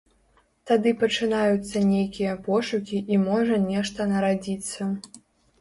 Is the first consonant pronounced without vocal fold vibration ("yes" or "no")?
yes